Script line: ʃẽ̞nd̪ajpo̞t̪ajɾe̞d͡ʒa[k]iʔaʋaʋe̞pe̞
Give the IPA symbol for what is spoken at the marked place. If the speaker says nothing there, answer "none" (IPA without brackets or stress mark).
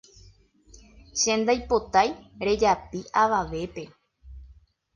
p